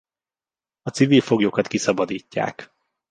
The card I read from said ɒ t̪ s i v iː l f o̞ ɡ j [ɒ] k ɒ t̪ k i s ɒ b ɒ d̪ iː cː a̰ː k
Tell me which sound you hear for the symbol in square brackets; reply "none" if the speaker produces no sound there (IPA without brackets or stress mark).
o